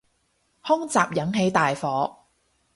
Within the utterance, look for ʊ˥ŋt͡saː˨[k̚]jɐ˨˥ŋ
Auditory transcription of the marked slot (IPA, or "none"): p̚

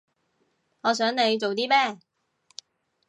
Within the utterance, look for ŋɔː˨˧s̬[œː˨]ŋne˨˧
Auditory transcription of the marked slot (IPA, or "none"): œː˨˥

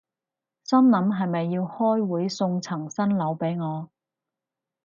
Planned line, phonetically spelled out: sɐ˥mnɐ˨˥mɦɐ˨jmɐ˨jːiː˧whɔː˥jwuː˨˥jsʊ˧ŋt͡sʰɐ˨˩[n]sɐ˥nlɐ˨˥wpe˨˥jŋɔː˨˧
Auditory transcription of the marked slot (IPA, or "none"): ŋ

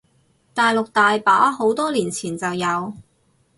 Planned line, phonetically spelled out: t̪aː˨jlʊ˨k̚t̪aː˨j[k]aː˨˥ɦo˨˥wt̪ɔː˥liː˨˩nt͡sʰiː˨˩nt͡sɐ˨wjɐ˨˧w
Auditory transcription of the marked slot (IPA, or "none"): p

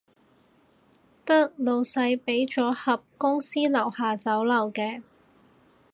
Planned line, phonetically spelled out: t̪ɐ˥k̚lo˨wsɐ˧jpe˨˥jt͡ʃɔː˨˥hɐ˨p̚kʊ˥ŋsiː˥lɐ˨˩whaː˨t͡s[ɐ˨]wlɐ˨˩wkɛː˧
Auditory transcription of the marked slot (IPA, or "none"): ɐ˨˥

